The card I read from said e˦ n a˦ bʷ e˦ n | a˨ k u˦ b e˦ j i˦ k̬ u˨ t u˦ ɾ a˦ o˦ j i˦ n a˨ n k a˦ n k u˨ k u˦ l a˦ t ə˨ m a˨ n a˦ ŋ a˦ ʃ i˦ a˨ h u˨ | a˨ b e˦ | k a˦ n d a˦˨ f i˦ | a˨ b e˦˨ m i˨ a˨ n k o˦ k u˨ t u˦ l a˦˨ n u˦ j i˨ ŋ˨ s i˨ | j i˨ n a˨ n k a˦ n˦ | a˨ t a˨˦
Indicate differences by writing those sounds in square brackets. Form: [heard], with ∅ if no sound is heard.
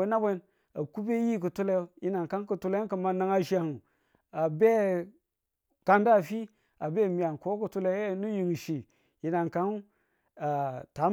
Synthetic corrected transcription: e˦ n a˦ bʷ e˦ n | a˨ k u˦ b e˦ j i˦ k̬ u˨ t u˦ [l] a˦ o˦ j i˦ n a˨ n k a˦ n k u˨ [t] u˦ l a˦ [k] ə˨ m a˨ n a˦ ŋ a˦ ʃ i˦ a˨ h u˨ | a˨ b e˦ | k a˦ n d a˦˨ f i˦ | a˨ b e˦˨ m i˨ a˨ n k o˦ k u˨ t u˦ l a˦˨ n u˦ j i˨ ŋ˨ [ʃ] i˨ | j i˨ n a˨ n k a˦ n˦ | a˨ t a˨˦